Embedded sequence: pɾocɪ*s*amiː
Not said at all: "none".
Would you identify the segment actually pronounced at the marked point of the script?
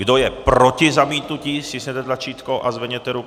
z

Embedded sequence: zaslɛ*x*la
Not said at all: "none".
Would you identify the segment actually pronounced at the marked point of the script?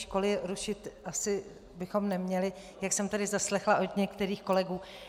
x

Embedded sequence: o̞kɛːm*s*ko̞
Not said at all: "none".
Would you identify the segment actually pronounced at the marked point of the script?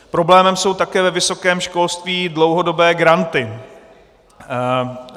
ʃ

